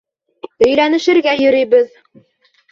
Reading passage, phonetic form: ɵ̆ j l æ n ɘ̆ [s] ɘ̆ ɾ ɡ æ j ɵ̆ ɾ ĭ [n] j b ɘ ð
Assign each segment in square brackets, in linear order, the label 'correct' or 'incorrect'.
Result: incorrect, incorrect

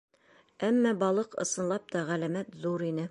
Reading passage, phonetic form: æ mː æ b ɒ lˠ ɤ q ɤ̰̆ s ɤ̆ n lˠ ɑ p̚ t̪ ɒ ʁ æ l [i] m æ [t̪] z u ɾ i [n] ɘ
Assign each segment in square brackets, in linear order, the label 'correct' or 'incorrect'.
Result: incorrect, correct, correct

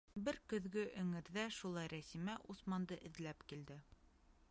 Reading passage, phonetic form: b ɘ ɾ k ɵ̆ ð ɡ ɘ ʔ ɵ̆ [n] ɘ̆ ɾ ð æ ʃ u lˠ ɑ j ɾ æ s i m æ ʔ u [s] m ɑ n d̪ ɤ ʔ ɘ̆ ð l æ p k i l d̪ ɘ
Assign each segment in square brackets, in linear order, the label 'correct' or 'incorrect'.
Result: incorrect, correct

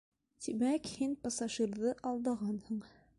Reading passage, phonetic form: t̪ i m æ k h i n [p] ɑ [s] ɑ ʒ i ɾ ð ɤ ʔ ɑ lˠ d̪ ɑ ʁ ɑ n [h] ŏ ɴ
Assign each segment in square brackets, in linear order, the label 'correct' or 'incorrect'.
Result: correct, correct, correct

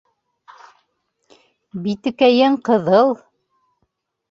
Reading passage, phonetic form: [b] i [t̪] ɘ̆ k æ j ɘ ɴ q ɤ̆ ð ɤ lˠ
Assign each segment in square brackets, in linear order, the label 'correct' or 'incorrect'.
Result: correct, correct

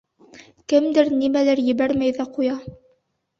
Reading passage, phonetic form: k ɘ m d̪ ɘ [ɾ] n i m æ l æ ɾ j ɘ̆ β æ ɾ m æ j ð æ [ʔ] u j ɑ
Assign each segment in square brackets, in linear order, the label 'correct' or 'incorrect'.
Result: correct, incorrect

